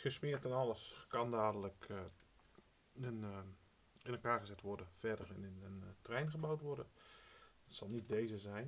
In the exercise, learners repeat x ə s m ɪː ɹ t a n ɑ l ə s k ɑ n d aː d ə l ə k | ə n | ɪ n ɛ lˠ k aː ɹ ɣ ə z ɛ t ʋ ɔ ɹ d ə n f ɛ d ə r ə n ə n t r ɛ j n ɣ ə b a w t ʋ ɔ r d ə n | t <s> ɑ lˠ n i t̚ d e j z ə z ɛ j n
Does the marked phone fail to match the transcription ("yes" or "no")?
no